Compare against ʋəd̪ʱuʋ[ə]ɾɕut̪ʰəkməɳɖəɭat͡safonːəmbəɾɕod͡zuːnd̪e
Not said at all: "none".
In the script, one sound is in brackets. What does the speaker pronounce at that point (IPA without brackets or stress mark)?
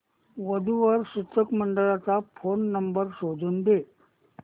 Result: ə